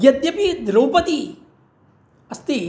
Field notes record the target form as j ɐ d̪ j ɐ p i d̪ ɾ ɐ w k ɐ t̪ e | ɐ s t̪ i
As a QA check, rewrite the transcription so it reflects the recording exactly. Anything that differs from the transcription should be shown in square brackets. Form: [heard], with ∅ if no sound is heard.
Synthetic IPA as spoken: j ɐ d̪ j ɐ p i d̪ ɾ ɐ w [p] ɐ t̪ [i] | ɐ s t̪ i

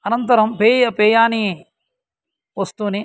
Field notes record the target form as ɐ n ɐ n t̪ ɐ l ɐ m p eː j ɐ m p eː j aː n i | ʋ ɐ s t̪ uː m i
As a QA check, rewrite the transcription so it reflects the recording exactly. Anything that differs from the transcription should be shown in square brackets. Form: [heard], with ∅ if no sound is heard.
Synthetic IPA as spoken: ɐ n ɐ n t̪ ɐ [ɾ] ɐ m p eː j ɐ [∅] p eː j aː n i | ʋ ɐ s t̪ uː [n] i

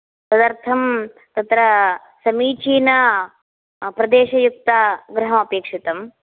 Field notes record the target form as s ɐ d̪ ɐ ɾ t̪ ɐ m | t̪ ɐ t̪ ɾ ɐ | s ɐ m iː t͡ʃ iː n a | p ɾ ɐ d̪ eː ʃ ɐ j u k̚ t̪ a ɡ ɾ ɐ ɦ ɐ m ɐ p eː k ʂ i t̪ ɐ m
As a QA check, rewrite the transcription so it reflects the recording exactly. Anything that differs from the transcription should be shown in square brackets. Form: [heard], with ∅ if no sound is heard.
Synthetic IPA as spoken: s ɐ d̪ ɐ ɾ [t̪ʰ] ɐ m | t̪ ɐ t̪ ɾ ɐ | s ɐ m iː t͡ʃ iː n [ɐ] | p ɾ ɐ d̪ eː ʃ ɐ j u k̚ t̪ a ɡ ɾ ɐ ɦ ɐ m ɐ p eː k ʂ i t̪ ɐ m

